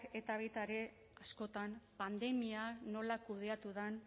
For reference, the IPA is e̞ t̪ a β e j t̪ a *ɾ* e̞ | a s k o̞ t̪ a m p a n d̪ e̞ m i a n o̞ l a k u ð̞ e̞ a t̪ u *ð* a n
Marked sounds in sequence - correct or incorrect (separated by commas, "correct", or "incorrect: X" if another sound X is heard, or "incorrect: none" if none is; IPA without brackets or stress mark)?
correct, correct